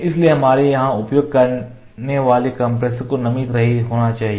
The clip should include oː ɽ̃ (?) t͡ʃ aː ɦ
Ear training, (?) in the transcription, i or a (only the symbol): a